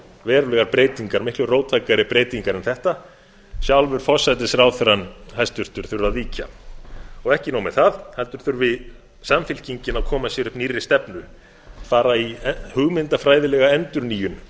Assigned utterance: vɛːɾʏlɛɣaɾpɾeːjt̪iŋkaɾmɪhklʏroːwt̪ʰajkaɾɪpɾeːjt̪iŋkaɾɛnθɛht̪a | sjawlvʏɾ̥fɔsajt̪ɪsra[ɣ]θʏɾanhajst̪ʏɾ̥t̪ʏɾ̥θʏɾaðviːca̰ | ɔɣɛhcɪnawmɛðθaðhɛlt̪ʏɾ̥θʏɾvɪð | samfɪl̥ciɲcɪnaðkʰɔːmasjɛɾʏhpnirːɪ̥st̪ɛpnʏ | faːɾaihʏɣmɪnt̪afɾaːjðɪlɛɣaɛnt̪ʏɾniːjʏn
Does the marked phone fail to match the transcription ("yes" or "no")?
yes